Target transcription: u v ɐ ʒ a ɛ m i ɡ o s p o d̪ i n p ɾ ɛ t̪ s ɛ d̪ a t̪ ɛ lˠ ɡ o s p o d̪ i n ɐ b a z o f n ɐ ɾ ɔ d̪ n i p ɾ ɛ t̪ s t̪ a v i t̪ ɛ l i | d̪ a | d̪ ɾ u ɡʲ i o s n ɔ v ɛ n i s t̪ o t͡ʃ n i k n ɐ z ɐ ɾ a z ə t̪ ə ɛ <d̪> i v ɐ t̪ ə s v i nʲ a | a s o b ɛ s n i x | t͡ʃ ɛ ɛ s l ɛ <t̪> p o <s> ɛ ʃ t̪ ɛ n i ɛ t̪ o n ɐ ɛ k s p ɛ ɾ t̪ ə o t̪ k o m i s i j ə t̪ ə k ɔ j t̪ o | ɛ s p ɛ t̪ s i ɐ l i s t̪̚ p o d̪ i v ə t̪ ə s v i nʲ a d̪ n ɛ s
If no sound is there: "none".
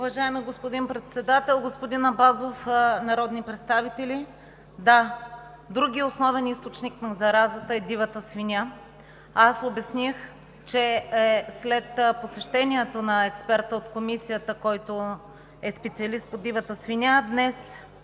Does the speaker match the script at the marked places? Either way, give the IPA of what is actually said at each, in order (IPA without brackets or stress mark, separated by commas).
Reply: d̪, t̪, s